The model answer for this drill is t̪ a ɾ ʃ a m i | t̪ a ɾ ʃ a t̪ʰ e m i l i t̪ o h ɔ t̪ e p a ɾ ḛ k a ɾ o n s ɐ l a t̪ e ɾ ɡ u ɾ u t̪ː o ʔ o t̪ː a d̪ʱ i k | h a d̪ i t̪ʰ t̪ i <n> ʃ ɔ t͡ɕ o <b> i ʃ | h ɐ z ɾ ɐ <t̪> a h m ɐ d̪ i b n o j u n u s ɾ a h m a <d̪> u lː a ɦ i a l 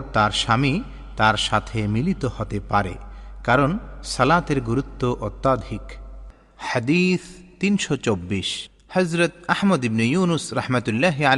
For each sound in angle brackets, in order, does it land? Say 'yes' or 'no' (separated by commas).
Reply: yes, no, yes, no